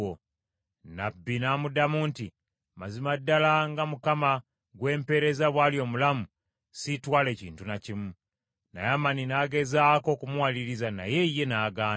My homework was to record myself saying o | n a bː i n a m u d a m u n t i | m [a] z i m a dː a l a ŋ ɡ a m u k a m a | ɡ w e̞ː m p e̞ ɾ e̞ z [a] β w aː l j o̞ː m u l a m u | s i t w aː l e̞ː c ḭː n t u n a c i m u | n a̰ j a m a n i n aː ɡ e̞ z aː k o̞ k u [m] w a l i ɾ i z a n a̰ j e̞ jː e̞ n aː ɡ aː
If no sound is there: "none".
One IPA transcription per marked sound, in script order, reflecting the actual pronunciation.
a, a, m

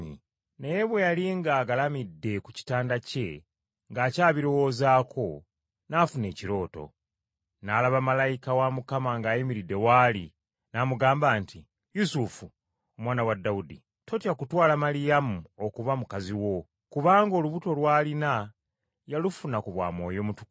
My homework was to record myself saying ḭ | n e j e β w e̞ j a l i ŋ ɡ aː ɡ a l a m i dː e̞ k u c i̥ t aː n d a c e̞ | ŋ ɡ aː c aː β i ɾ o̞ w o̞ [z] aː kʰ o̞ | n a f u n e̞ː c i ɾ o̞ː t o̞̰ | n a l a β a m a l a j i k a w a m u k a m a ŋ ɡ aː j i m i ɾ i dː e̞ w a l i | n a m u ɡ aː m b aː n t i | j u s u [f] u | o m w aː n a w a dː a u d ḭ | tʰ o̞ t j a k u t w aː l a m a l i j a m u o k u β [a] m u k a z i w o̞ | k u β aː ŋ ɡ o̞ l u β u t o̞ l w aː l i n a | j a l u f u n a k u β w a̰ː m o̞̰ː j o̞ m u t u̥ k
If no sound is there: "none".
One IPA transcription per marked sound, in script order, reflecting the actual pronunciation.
z, f, a

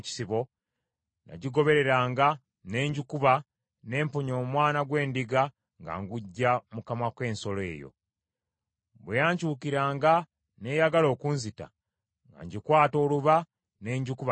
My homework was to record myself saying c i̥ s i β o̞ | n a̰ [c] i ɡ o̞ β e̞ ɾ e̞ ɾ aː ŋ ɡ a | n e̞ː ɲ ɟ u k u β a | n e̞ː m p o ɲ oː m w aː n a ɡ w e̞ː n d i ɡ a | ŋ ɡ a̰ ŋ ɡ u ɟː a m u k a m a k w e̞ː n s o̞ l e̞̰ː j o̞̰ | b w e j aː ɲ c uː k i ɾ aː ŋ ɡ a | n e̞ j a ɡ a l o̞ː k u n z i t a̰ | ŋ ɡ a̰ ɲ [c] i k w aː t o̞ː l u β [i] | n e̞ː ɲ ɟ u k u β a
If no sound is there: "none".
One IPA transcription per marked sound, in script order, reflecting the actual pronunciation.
ɟ, ɟ, a

